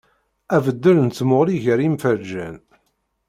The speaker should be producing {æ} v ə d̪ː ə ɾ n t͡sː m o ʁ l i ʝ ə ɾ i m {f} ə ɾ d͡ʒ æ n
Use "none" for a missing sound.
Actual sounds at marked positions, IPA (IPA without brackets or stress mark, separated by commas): æ, f